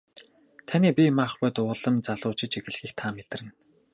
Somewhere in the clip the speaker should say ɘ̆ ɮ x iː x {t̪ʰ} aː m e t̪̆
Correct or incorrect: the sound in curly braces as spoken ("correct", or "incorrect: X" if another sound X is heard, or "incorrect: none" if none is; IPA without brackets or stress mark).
correct